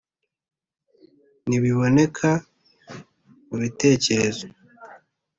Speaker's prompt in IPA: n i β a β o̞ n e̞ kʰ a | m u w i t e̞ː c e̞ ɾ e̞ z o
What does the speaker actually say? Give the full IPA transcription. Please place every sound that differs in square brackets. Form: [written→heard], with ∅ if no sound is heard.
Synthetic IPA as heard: n i β [a→i] β o̞ n e̞ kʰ a | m u [w→β] i t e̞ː c e̞ ɾ e̞ z o